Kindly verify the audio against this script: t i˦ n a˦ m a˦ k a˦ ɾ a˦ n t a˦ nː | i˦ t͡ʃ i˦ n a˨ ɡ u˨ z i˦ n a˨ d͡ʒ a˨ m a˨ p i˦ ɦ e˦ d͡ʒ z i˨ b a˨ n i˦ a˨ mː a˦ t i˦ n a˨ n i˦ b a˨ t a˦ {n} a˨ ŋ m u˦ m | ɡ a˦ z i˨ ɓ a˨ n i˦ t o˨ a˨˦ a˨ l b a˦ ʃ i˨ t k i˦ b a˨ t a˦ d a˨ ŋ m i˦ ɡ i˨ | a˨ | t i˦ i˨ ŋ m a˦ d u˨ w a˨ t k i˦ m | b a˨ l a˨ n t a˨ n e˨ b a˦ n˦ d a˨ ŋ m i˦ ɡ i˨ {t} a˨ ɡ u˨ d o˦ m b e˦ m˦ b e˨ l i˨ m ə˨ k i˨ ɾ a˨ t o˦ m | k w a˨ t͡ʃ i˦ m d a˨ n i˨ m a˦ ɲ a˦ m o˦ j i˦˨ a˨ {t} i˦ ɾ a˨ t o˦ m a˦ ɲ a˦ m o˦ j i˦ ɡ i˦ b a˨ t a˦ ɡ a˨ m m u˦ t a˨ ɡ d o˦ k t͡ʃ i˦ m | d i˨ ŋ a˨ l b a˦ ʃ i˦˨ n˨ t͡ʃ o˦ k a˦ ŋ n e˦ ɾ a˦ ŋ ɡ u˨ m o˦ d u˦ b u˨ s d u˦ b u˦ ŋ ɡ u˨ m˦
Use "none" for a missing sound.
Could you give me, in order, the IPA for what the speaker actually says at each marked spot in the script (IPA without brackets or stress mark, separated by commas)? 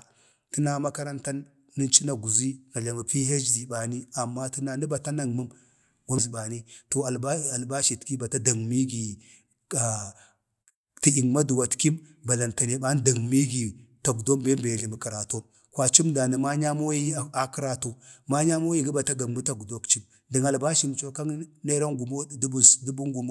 n, t, k